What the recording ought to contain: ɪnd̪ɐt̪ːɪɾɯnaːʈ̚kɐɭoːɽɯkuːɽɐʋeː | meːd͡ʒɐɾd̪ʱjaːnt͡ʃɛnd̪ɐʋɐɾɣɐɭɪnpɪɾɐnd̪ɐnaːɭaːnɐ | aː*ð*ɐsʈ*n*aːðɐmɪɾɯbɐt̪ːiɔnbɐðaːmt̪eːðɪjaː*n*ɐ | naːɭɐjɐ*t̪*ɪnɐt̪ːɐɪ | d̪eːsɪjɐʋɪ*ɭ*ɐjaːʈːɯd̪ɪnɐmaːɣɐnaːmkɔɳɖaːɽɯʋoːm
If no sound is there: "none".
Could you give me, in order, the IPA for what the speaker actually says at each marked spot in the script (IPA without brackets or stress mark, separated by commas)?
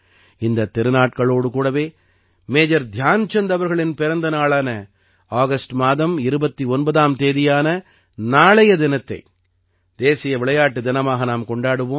ɣ, m, n, d̪, ɭ